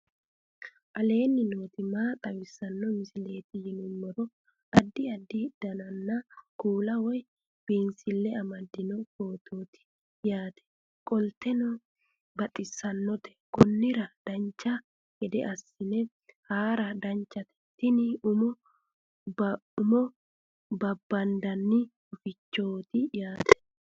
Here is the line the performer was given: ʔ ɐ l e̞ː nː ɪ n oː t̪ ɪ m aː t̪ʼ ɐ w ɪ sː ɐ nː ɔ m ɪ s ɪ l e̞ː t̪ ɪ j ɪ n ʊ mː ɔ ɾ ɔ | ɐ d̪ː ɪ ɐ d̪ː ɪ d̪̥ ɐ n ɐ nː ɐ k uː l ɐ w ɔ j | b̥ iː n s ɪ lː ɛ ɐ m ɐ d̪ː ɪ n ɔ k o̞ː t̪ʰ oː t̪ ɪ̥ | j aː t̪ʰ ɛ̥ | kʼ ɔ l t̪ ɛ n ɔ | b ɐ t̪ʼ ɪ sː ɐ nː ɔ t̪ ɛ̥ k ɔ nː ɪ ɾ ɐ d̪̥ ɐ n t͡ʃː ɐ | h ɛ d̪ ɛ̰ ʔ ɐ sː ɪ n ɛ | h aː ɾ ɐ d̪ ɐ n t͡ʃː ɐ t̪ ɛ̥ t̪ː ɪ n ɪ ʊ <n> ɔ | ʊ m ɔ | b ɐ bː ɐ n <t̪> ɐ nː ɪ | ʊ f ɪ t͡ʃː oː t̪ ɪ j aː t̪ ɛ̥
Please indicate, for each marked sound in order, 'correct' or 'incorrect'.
incorrect: m, incorrect: d̪

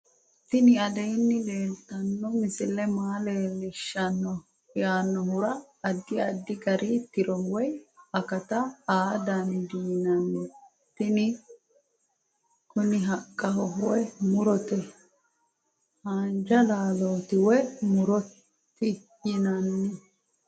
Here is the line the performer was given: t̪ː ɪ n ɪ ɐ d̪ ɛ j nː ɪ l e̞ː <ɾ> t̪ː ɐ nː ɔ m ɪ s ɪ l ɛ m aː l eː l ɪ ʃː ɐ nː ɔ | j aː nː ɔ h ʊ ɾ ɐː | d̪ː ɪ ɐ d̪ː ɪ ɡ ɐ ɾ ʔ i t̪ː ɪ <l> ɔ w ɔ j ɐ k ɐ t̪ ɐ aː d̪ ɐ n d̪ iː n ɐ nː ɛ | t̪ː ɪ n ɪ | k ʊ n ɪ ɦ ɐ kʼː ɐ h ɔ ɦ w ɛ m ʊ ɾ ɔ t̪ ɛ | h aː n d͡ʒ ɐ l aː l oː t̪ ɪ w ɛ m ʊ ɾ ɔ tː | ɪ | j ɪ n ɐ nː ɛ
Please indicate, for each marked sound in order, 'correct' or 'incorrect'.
incorrect: l, incorrect: ɾ

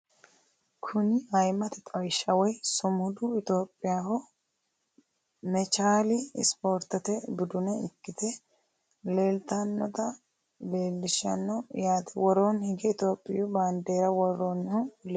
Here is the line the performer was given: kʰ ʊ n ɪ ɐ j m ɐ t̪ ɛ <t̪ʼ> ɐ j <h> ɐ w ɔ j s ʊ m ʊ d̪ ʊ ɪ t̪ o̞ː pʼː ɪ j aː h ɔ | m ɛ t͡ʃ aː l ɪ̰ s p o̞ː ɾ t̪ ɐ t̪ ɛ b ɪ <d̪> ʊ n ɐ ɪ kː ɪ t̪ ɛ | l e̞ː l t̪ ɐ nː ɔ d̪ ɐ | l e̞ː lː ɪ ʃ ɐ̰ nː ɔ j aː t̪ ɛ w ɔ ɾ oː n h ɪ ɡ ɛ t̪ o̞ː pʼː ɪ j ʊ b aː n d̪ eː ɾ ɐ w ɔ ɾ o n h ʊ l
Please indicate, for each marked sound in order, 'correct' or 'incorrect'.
correct, incorrect: ʃ, correct

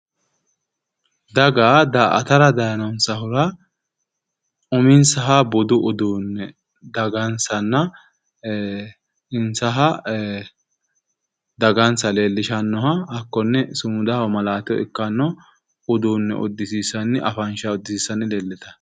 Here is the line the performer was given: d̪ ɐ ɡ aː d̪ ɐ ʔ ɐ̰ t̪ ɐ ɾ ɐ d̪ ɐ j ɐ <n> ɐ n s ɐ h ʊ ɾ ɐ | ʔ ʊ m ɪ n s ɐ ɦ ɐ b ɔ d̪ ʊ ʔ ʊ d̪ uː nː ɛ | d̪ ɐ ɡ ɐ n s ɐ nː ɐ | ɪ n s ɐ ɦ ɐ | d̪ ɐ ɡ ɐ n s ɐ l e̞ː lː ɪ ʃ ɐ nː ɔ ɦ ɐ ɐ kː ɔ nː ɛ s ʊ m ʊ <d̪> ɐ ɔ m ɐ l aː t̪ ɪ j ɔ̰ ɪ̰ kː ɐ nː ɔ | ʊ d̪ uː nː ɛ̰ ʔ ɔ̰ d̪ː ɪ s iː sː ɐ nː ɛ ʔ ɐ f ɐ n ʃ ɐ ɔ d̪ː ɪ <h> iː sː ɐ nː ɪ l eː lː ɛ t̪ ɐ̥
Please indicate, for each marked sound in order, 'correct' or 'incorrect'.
correct, correct, incorrect: s

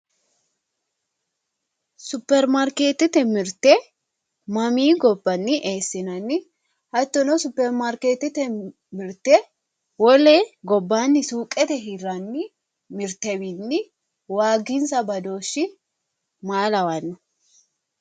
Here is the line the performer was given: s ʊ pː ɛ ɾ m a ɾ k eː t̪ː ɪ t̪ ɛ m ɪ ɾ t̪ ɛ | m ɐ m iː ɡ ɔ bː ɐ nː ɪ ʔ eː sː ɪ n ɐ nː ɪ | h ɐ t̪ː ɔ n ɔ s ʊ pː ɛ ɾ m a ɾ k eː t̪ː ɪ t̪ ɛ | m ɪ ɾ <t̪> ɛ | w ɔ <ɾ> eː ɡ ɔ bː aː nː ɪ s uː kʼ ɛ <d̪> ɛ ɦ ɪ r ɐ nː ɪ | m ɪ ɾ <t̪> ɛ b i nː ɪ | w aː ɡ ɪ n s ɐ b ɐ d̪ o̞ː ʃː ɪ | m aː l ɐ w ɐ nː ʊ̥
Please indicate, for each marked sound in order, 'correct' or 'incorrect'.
correct, incorrect: l, incorrect: t̪, correct

